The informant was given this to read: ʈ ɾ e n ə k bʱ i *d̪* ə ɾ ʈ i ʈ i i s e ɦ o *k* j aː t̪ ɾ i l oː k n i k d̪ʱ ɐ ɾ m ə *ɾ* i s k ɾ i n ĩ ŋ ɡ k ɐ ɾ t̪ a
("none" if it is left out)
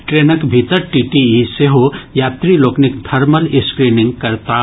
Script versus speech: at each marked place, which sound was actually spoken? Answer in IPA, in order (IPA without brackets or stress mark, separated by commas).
t̪, none, l